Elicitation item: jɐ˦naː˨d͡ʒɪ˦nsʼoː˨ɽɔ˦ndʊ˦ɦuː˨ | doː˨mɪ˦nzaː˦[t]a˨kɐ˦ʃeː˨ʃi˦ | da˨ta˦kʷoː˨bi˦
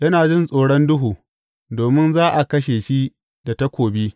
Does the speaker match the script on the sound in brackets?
no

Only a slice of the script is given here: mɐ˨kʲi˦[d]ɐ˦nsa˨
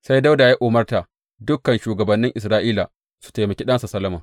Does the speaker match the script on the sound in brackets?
no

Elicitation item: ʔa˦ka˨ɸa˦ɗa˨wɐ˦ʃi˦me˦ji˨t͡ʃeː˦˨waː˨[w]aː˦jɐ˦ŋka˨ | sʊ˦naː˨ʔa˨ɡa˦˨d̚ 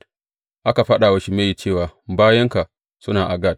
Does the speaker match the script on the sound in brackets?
no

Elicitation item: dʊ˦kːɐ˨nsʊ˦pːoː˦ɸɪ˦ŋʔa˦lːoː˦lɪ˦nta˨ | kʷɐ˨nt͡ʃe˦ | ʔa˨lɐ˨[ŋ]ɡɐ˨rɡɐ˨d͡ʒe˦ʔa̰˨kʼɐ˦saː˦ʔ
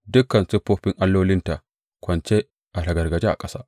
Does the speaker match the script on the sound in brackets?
no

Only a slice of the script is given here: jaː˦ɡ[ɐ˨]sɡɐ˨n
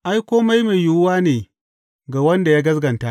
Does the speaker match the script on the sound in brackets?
no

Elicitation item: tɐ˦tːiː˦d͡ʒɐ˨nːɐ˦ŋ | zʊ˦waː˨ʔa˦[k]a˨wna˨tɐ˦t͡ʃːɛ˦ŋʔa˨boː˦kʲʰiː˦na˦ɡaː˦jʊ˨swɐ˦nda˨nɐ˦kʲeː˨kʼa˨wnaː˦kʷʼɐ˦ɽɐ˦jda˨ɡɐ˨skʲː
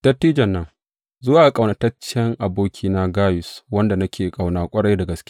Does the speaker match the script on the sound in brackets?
no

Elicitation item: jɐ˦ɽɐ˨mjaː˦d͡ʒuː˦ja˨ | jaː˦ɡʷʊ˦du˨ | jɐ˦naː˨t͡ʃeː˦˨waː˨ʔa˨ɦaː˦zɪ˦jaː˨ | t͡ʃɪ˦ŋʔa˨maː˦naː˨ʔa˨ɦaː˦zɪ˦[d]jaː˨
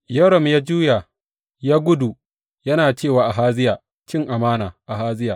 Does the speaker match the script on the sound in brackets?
no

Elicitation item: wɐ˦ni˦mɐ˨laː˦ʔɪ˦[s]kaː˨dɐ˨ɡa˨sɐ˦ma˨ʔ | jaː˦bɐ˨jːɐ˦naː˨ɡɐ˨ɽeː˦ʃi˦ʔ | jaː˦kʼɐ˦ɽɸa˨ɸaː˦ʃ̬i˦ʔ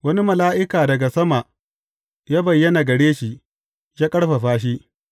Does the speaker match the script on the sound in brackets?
no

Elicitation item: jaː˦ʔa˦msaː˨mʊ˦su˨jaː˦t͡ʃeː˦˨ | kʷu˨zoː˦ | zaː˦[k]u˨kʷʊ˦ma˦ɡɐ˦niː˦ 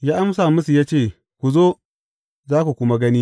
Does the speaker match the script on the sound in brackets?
yes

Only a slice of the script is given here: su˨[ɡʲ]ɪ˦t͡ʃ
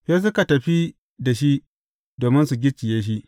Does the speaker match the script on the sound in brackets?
yes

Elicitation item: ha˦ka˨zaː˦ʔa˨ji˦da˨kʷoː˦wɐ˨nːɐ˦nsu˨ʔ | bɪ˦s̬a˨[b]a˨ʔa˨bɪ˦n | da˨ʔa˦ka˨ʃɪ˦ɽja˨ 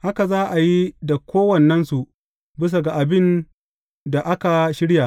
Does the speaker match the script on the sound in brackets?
no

